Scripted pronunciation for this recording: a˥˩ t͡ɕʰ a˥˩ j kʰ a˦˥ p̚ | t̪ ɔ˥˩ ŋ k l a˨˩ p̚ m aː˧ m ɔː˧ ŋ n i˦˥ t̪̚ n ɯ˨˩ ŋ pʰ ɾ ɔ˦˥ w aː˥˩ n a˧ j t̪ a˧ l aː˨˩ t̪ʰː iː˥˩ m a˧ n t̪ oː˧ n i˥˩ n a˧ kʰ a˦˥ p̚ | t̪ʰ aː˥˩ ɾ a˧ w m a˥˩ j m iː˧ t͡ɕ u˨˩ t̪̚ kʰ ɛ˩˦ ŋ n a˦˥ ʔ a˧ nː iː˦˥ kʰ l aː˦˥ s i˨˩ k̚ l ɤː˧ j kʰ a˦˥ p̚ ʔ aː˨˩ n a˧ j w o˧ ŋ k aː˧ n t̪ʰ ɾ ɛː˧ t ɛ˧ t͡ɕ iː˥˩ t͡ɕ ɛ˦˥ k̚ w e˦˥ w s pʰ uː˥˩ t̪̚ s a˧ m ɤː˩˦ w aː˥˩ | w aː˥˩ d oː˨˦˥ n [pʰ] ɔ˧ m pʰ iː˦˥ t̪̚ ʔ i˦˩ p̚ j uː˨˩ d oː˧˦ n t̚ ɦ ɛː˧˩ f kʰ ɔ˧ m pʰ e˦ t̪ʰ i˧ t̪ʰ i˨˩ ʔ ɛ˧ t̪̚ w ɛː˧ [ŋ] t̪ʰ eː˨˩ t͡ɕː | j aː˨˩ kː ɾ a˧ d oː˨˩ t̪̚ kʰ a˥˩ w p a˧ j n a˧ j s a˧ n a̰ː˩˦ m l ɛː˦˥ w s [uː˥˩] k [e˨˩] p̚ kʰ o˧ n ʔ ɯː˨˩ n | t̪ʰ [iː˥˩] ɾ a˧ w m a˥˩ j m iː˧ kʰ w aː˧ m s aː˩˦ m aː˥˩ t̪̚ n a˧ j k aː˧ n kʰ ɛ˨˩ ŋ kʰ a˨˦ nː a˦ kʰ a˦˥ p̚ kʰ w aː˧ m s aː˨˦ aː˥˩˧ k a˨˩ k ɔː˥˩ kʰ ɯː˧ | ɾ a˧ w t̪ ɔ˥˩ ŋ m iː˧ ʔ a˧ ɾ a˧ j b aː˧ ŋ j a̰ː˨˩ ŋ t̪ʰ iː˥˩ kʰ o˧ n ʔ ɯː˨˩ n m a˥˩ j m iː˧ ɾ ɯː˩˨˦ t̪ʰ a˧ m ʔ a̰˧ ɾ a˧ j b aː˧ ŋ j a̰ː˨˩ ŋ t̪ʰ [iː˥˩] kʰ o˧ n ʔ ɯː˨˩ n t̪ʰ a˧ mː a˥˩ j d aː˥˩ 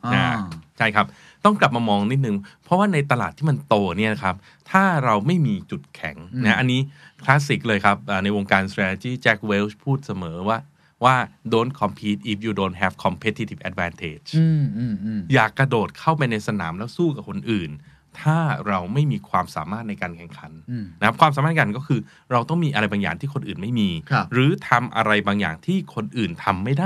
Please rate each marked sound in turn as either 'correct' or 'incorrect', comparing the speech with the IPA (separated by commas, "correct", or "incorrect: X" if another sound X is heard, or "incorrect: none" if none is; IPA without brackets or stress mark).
incorrect: kʰ, incorrect: n, correct, incorrect: a˨˩, incorrect: aː˥˩, correct